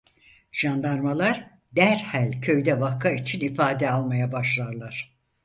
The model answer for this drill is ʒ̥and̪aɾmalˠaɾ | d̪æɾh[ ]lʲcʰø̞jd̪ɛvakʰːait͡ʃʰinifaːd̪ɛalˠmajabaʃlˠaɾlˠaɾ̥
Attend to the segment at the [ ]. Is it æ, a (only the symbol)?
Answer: æ